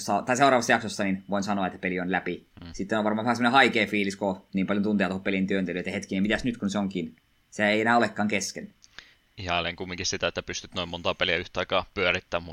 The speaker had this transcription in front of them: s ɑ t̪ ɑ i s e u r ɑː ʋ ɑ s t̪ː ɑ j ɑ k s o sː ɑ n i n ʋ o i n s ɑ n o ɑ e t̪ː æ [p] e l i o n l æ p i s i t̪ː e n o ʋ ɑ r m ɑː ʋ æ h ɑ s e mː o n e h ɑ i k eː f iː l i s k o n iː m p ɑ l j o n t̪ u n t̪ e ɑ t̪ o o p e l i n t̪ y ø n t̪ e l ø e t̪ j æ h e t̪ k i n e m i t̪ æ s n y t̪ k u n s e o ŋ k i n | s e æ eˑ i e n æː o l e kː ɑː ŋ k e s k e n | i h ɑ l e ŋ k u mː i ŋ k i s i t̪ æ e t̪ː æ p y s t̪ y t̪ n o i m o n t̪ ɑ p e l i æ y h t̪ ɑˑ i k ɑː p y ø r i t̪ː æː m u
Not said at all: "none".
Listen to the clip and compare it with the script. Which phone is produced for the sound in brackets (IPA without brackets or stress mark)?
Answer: p